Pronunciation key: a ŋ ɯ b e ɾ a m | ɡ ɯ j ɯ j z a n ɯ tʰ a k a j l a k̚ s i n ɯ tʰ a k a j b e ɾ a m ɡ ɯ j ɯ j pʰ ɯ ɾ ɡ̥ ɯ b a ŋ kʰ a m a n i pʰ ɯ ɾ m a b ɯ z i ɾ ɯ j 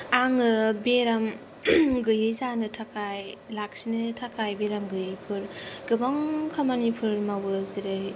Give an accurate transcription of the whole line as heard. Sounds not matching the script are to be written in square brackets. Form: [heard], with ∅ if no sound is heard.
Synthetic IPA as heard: a ŋ ɯ b e ɾ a m | ɡ ɯ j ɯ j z a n ɯ tʰ a k a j l a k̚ s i n ɯ tʰ a k a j b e ɾ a m ɡ ɯ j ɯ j pʰ ɯ ɾ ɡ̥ ɯ b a ŋ kʰ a m a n i pʰ ɯ ɾ m a [w] ɯ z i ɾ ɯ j